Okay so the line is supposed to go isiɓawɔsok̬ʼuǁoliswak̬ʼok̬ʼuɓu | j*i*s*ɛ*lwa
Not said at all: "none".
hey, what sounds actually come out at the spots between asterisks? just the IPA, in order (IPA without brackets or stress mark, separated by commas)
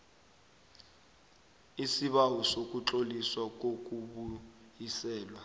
i, ɛː